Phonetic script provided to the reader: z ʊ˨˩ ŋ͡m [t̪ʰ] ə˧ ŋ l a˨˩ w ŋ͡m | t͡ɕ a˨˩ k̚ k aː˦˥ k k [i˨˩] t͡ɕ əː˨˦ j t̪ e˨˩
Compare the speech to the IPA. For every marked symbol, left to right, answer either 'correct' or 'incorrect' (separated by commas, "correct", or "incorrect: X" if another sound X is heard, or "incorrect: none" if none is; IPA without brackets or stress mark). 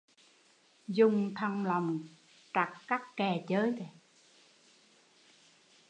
correct, incorrect: ɛ˨˩